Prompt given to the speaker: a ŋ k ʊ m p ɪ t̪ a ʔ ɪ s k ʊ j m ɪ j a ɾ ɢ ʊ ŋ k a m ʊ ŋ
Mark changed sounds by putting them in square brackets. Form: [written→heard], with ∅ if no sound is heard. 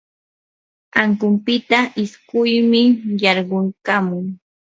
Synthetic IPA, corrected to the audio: a ŋ k ʊ m p ɪ t̪ a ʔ ɪ s k ʊ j m ɪ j [a→ɑ] ɾ ɢ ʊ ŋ k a m ʊ ŋ